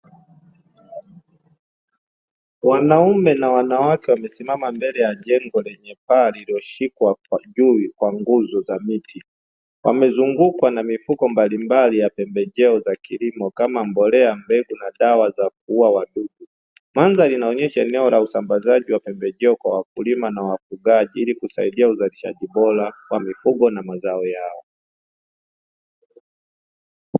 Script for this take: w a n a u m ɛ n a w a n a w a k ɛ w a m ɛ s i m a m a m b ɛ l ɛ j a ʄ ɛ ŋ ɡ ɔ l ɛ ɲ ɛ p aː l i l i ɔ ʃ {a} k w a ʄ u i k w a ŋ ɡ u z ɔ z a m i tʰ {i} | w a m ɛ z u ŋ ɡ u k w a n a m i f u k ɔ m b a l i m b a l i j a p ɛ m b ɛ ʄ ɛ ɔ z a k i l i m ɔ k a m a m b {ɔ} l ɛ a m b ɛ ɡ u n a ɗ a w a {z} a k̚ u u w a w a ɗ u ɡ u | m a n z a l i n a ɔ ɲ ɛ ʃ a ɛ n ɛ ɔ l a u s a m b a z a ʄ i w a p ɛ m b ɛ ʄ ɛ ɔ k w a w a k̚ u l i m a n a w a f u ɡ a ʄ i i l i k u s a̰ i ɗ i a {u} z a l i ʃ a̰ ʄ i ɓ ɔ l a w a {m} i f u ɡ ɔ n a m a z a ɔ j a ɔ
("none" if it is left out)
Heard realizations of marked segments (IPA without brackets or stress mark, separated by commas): i, i, ɔ, z, u, m